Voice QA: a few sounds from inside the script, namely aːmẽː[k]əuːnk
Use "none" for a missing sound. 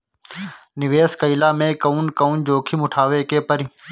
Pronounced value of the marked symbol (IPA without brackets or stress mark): k